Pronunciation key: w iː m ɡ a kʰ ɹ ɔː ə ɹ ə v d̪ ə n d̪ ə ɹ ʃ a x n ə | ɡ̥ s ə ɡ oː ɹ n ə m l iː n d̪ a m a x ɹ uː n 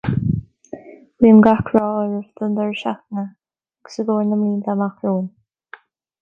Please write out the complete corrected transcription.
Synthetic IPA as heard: w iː m ɡ a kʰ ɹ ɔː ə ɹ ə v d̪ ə n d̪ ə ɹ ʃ a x n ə | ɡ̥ s ə ɡ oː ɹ n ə m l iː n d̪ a m a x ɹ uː n